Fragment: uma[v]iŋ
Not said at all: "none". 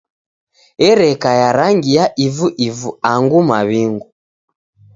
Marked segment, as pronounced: β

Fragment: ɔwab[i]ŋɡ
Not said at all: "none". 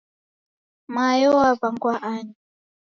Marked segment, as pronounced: a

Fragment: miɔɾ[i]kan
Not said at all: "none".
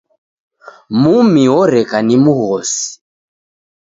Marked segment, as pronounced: ɛ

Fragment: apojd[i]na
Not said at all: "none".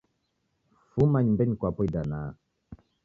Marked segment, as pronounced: a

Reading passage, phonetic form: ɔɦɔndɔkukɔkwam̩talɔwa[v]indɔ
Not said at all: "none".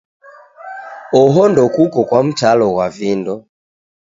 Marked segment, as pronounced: v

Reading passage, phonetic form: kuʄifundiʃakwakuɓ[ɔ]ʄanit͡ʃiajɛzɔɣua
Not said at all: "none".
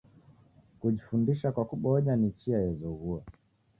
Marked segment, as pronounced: ɔ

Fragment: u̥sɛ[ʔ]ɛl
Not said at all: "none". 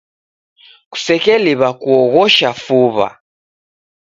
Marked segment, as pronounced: k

